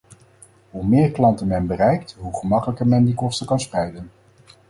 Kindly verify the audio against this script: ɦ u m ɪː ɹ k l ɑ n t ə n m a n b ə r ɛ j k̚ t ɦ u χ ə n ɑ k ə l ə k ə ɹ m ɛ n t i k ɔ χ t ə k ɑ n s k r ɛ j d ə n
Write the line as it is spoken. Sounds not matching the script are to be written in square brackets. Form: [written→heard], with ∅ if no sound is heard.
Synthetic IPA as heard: ɦ u m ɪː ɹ k l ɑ n t ə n m [a→ɛ] n b ə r ɛ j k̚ t ɦ u χ ə [n→m] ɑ k ə l ə k ə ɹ m ɛ n [t→d] i k ɔ [χ→s] t ə k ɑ n s [k→p] r ɛ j d ə n